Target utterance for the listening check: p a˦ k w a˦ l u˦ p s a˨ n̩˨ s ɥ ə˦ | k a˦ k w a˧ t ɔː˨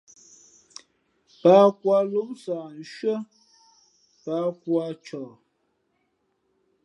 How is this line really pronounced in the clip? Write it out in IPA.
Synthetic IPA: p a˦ k w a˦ l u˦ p s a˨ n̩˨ ʃ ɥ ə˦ | p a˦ k w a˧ t͡ʃ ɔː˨